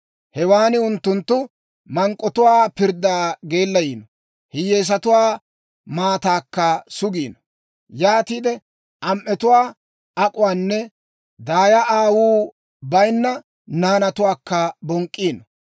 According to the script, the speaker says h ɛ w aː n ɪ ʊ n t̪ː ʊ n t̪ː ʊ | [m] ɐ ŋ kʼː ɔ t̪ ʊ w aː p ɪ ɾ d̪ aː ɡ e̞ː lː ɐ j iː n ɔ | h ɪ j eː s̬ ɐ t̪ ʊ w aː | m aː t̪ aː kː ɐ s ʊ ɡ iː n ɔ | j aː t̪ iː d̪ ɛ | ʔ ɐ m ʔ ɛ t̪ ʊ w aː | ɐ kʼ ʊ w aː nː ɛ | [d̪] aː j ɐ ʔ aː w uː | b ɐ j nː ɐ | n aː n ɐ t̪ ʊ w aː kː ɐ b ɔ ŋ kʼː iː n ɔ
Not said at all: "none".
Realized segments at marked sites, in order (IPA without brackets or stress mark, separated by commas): m, d̪